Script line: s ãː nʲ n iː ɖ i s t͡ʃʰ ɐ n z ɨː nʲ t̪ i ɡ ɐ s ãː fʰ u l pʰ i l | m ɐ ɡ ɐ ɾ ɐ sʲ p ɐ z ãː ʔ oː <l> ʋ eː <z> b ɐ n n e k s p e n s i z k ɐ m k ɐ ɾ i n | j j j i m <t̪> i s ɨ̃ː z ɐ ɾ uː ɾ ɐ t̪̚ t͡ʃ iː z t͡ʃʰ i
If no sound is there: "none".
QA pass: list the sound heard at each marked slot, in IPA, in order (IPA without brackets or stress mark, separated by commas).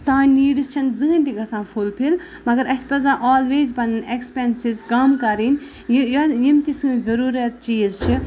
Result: l, z, t̪